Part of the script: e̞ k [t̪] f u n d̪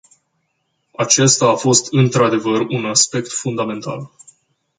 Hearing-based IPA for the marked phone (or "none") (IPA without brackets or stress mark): t̪